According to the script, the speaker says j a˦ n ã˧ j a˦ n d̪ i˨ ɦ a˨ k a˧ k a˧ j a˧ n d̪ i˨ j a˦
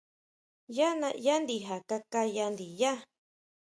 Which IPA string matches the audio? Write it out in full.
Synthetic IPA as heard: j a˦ n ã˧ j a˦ n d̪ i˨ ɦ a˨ k a˧ k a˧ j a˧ n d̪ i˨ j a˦